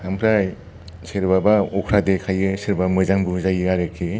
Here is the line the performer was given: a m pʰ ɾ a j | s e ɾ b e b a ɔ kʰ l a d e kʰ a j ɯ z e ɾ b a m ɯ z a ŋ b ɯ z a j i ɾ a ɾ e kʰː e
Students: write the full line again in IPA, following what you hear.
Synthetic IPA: a m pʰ ɾ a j | s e ɾ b a b a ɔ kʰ ɾ a d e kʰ a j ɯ s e ɾ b a m ɯ z a ŋ b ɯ z a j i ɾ a ɾ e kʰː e